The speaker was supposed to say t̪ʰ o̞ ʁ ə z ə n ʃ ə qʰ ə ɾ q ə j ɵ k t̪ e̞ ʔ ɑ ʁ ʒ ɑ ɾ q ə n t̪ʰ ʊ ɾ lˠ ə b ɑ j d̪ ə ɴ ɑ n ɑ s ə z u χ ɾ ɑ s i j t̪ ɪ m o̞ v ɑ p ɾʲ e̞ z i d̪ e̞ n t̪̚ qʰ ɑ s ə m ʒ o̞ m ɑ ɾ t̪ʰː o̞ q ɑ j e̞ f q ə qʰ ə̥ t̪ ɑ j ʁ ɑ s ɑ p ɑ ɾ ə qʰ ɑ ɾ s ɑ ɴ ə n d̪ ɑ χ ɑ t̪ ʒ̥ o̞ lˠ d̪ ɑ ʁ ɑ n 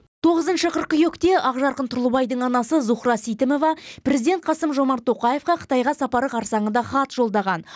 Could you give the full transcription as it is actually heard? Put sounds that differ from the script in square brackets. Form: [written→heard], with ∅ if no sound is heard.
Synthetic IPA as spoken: t̪ʰ o̞ ʁ ə z ə n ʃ ə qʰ ə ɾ q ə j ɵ k t̪ e̞ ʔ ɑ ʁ ʒ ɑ ɾ q ə n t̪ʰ ʊ ɾ lˠ ə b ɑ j d̪ ə ɴ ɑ n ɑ s ə z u χ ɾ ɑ s i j t̪ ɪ m o̞ v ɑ p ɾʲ e̞ z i d̪ e̞ n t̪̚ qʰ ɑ s ə m ʒ o̞ m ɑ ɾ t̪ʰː o̞ q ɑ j e̞ f q [ə→ɑ] qʰ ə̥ t̪ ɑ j ʁ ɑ s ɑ p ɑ ɾ ə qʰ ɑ ɾ s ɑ ɴ ə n d̪ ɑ χ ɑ t̪ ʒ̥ o̞ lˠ d̪ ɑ ʁ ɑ n